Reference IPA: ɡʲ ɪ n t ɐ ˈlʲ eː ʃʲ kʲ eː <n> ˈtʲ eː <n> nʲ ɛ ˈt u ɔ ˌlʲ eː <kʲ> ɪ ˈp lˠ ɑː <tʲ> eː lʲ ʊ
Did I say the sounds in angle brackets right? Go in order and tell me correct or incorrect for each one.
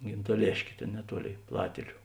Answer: incorrect: none, correct, incorrect: none, correct

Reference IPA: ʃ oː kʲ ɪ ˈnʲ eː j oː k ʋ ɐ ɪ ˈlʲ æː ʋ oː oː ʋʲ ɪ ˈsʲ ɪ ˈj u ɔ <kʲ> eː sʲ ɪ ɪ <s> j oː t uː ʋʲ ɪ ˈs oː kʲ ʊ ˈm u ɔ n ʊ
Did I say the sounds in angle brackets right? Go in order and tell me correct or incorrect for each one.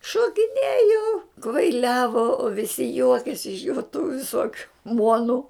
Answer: correct, incorrect: ʃ

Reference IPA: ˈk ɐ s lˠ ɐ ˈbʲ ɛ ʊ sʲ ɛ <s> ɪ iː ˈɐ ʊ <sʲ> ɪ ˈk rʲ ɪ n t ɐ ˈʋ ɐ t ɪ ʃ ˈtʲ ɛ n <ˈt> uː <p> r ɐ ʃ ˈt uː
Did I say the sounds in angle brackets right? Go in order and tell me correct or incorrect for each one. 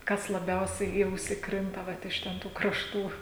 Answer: incorrect: none, correct, correct, incorrect: k

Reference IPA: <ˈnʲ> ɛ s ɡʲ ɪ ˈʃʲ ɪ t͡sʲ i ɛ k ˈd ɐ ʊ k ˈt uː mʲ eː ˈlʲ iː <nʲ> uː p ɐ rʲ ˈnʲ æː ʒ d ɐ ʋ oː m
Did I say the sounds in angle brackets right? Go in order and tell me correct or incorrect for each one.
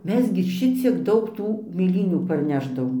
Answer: incorrect: mʲ, correct

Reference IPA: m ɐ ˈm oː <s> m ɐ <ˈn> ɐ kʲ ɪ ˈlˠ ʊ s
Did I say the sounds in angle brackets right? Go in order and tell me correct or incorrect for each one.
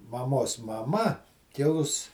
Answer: correct, incorrect: m

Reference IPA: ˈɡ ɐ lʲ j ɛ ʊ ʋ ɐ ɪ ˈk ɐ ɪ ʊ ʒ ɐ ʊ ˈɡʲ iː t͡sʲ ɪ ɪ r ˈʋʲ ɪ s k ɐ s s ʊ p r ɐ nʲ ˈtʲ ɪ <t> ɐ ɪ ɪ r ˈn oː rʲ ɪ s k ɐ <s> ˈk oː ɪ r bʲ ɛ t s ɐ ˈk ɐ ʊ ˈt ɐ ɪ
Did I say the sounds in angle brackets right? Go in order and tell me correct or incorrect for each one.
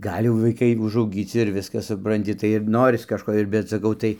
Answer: correct, incorrect: ʃ

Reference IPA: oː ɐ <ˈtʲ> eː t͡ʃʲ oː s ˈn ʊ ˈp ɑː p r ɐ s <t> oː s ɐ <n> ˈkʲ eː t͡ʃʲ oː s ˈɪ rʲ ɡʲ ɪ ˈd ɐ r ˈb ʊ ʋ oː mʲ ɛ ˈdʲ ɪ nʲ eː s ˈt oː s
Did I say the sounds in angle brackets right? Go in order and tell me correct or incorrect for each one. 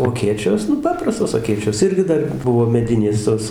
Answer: incorrect: kʲ, correct, incorrect: none

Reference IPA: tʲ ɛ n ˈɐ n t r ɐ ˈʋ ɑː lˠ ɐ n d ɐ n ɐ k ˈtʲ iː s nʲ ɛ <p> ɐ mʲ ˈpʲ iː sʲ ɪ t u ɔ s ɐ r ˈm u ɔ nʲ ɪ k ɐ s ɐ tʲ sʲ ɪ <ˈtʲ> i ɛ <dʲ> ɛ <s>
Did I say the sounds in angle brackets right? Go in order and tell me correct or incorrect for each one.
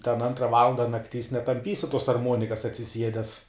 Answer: incorrect: t, incorrect: sʲ, correct, correct

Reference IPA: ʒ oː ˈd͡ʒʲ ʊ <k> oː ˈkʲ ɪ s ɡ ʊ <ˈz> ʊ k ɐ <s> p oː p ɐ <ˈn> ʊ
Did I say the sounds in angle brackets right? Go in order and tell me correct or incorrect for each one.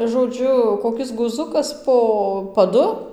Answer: correct, correct, correct, incorrect: d

